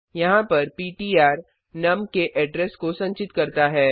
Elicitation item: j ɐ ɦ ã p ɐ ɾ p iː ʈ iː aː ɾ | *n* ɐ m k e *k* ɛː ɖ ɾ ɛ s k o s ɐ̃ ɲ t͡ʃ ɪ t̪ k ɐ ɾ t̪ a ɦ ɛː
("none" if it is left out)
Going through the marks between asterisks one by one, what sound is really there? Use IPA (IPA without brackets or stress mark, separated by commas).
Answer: n, ʔ